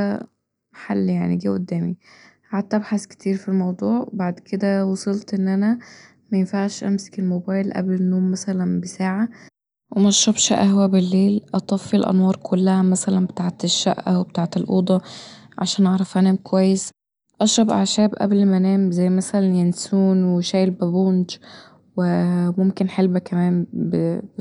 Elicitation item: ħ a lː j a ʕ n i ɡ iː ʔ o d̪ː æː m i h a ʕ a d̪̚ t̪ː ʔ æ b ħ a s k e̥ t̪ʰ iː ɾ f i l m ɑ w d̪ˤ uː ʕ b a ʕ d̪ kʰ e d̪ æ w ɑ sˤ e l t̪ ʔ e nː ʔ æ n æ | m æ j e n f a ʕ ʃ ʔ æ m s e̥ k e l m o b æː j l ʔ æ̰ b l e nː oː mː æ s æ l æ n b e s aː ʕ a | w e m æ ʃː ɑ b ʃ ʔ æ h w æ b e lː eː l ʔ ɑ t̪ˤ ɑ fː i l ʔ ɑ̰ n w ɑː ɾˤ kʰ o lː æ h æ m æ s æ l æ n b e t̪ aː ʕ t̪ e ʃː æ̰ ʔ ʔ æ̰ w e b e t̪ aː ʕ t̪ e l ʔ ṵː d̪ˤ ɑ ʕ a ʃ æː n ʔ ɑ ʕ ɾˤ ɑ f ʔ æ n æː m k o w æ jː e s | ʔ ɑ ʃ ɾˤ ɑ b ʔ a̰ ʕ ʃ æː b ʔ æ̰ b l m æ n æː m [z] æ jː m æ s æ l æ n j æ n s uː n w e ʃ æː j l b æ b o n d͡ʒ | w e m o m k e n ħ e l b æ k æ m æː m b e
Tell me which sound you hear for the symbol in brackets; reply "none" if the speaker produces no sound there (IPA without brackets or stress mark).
z